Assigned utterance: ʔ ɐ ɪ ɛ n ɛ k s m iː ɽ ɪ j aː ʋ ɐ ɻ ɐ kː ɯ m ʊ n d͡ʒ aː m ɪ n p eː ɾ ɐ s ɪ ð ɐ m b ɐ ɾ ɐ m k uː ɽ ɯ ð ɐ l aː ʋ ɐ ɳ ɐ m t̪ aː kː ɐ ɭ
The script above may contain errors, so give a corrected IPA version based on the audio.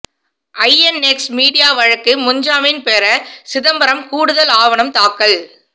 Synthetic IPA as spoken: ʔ ɐ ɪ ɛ n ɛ k s m iː ɽ ɪ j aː ʋ ɐ ɻ ɐ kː ɯ m ʊ ɲ d͡ʒ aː m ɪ n p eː ɾ ɐ s ɪ ð ɐ m b ɐ ɾ ɐ m k uː ɽ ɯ ð ɐ l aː ʋ ɐ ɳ ɐ m t̪ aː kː ɐ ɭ

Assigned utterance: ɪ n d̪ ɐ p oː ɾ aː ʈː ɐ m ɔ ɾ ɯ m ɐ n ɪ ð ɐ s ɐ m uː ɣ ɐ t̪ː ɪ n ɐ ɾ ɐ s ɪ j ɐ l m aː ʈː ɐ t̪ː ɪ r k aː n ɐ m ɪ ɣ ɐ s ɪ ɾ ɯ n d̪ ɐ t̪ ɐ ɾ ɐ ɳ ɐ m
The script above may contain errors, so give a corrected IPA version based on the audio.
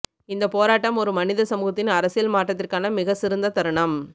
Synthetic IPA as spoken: ɪ n d̪ ɐ p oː ɾ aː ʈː ɐ m ɔ ɾ ɯ m ɐ n ɪ ð ɐ s ɐ m uː ɣ ɐ t̪ː ɪ n ɐ ɾ ɐ s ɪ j ɐ l m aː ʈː ɐ t̪ː ɪ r k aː n ɐ m ɪ ɣ ɐ s ɪ ɾ ɯ n d̪ ɐ t̪ ɐ ɾ ɐ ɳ ɐ m

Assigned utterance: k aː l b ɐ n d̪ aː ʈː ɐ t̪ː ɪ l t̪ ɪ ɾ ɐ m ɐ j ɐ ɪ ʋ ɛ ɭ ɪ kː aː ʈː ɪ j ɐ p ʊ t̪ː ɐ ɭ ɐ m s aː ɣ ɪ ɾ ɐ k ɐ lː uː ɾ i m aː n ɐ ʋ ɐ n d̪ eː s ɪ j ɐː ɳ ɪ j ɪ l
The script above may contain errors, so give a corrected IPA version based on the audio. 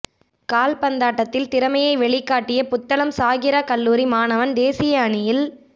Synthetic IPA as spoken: k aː l p ɐ n d̪ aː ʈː ɐ t̪ː ɪ l t̪ ɪ ɾ ɐ m ɐ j ɐ ɪ ʋ ɛ ɭ ɪ kː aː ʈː ɪ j ɐ p ʊ t̪ː ɐ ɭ ɐ m s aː ɣ ɪ ɾ ɐ k ɐ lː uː ɾ i m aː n ɐ ʋ ɐ n d̪ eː s ɪ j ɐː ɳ ɪ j ɪ l

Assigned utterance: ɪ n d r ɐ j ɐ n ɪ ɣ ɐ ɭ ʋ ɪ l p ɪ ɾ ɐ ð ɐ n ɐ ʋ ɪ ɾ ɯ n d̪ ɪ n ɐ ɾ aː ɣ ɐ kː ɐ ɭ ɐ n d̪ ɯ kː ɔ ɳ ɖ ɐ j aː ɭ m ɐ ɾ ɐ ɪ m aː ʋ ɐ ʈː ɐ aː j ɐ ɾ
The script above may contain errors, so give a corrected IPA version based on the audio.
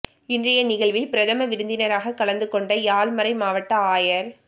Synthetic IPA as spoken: ɪ n d r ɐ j ɐ n ɪ ɣ ɐ ɭ ʋ ɪ l p ɪ ɾ ɐ ð ɐ m ɐ ʋ ɪ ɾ ɯ n d̪ ɪ n ɐ ɾ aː ɣ ɐ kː ɐ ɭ ɐ n d̪ ɯ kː ɔ ɳ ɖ ɐ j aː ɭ m ɐ ɾ ɐ ɪ m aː ʋ ɐ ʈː ɐ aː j ɐ ɾ

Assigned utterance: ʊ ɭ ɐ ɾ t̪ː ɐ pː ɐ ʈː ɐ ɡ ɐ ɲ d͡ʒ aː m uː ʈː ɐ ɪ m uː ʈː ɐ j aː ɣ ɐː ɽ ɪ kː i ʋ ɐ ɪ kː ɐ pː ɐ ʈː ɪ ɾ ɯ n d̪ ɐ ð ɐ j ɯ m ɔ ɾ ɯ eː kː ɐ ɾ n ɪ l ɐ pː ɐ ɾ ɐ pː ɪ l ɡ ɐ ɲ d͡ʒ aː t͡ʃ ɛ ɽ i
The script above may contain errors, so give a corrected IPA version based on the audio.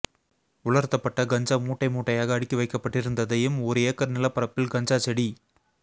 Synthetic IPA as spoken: ʊ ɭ ɐ ɾ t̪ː ɐ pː ɐ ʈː ɐ ɡ ɐ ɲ d͡ʒ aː m uː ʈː ɐ ɪ m uː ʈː ɐ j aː ɣ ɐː ɽ ɪ kː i ʋ ɐ ɪ kː ɐ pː ɐ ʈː ɪ ɾ ɯ n d̪ ɐ ð ɐ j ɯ m ɔ ɾ ɯ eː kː ɐ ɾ n ɪ l ɐ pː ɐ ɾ ɐ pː ɪ l ɡ ɐ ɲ d͡ʒ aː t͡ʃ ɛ ɽ i

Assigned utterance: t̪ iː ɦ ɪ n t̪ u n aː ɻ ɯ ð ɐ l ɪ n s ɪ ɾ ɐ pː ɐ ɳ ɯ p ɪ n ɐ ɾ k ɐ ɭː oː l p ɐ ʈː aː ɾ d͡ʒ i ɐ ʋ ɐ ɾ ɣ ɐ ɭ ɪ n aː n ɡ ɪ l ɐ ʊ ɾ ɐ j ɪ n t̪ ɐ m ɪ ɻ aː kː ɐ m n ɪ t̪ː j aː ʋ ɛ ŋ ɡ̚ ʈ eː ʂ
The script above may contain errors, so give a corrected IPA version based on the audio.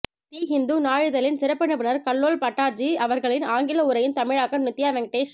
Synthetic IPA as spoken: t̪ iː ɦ ɪ n d̪ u n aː ɻ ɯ ð ɐ l ɪ n s ɪ ɾ ɐ pː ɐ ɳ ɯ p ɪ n ɐ ɾ k ɐ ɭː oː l p ɐ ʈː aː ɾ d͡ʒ i ɐ ʋ ɐ ɾ ɣ ɐ ɭ ɪ n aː ŋ ɡ ɪ l ɐ ʊ ɾ ɐ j ɪ n t̪ ɐ m ɪ ɻ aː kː ɐ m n ɪ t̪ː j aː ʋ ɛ ŋ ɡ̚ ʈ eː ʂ

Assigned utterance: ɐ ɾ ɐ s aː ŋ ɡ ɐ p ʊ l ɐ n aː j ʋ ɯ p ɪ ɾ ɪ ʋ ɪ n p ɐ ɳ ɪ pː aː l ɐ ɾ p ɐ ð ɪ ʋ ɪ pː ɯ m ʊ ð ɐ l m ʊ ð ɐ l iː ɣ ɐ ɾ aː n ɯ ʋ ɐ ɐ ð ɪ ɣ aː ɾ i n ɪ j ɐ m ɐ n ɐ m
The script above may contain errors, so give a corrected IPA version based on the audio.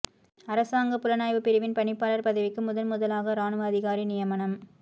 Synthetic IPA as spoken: ɐ ɾ ɐ s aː ŋ ɡ ɐ p ʊ l ɐ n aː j ʋ ɯ p ɪ ɾ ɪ ʋ ɪ n p ɐ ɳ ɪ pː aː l ɐ ɾ p ɐ ð ɪ ʋ ɪ kː ɯ m ʊ ð ɐ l m ʊ ð ɐ l aː ɣ ɐ ɾ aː n ɯ ʋ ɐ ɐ ð ɪ ɣ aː ɾ i n ɪ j ɐ m ɐ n ɐ m

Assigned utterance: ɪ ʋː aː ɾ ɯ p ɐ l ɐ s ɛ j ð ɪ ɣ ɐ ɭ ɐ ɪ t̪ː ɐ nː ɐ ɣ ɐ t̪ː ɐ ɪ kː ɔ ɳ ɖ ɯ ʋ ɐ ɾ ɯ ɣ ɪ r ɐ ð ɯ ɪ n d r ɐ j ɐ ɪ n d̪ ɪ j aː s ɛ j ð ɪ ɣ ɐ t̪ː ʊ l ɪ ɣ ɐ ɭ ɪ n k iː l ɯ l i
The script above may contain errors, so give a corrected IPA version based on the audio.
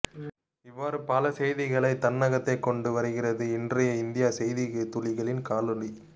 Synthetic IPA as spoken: ɪ ʋː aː ɾ ɯ p ɐ l ɐ s ɛ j ð ɪ ɣ ɐ ɭ ɐ ɪ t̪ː ɐ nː ɐ ɣ ɐ t̪ː ɐ ɪ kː ɔ ɳ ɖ ɯ ʋ ɐ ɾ ɯ ɣ ɪ r ɐ ð ɯ ɪ n d r ɐ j ɐ ɪ n d̪ ɪ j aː s ɛ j ð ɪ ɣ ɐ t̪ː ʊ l ɪ ɣ ɐ ɭ ɪ n k aː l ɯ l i

